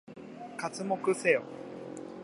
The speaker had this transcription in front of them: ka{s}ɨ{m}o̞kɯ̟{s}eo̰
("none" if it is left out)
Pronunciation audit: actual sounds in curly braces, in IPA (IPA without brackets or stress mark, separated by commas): t͡s, m, s